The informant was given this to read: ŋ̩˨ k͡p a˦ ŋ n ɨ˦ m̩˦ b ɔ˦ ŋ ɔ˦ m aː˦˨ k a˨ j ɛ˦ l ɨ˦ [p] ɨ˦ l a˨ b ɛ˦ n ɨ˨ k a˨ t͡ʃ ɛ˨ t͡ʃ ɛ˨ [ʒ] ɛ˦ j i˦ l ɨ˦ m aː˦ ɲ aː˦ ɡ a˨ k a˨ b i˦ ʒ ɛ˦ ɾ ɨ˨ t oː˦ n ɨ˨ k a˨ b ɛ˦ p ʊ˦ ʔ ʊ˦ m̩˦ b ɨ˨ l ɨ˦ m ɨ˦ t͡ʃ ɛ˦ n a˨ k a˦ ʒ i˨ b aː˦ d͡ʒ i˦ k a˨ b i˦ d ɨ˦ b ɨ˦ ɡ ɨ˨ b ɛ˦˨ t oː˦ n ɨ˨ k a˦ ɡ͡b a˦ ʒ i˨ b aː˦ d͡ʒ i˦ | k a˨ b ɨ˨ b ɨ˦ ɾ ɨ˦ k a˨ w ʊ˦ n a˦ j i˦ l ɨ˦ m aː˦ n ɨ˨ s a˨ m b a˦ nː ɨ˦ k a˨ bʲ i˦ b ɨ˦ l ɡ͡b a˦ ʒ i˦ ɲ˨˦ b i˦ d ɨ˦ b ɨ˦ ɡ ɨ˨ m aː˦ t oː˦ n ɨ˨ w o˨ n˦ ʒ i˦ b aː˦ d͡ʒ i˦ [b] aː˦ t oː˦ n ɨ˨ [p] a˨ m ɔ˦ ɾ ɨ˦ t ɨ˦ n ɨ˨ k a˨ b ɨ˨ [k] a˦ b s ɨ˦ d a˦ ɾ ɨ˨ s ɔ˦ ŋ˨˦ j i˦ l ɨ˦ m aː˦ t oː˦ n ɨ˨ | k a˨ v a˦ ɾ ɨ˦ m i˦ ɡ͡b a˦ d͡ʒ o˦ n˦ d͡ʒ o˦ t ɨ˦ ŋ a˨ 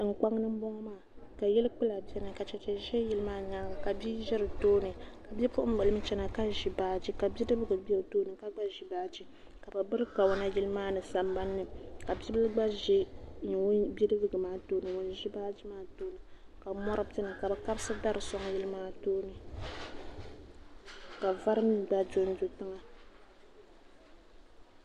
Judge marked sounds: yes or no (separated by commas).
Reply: no, yes, no, no, yes